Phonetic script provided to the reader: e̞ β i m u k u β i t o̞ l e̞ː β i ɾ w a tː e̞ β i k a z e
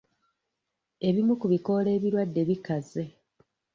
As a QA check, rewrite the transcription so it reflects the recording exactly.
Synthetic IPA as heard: e̞ β i m u k u β i k o̞ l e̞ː β i ɾ w a dː e̞ β i k a z e